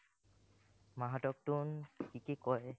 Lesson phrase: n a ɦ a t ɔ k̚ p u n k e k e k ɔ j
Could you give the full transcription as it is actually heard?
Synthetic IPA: m a ɦ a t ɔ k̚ t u n k i k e k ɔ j